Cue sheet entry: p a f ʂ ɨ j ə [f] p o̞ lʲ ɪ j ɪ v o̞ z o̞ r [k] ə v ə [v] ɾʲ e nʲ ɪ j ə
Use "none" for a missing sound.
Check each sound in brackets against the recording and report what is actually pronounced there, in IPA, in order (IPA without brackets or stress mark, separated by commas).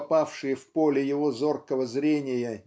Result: f, k, z